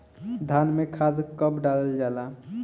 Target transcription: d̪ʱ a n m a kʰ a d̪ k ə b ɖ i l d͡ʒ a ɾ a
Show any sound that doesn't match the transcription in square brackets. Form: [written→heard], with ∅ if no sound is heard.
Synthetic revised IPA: d̪ʱ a n m [a→e] kʰ a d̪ k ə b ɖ [i→a] l d͡ʒ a [ɾ→l] a